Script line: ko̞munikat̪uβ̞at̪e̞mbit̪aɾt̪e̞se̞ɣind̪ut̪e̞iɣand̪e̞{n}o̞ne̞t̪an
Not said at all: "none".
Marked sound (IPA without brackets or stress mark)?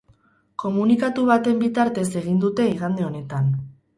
none